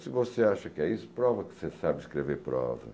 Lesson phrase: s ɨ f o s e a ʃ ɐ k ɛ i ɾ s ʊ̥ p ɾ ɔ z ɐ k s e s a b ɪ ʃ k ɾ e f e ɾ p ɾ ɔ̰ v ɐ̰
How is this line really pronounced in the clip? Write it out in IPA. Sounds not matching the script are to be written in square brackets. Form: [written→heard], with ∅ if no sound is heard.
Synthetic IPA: s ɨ [f→v] o s e a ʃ ɐ k ɛ i [ɾ→∅] s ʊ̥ p ɾ ɔ [z→v] ɐ k s e s a b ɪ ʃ k ɾ e [f→v] e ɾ p ɾ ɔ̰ v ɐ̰